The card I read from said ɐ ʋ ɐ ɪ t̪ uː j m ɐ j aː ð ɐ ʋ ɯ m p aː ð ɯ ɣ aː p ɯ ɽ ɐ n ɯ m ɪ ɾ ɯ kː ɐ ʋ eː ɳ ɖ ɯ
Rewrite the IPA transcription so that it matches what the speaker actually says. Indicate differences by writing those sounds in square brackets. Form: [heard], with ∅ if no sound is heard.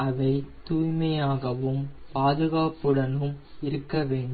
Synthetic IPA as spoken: ɐ ʋ ɐ ɪ t̪ uː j m ɐ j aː [ɣ] ɐ ʋ ɯ m p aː ð ɯ ɣ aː p ɯ ɽ ɐ n ɯ m ɪ ɾ ɯ kː ɐ ʋ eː ɳ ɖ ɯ